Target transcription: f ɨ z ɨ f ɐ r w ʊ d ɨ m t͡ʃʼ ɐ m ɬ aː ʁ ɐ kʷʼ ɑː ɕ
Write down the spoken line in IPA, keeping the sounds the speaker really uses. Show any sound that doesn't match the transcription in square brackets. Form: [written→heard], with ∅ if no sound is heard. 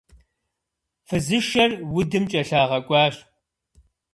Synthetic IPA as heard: f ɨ z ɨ [f→ʃ] ɐ r w ʊ d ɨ m t͡ʃʼ ɐ [m→∅] ɬ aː ʁ ɐ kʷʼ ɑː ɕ